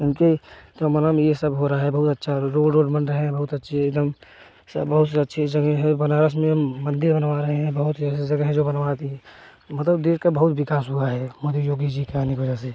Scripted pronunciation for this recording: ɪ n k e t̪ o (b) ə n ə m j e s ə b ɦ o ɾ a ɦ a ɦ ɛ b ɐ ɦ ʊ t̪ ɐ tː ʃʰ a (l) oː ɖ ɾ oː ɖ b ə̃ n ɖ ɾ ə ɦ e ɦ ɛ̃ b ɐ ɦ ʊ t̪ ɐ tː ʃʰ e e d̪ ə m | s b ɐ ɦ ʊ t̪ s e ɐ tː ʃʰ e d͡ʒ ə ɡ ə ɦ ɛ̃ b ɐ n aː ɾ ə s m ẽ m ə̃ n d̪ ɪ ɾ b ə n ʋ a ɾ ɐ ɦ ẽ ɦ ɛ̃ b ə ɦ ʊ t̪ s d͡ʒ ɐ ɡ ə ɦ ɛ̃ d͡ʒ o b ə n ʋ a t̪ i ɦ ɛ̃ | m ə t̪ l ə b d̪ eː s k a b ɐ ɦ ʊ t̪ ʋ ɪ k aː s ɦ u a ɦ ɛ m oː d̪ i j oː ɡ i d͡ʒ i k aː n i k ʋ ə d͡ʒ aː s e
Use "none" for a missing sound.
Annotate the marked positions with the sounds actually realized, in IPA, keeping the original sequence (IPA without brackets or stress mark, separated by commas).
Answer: m, ɾ